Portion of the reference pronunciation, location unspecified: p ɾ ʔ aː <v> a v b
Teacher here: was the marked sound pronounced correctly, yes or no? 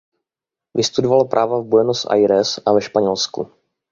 yes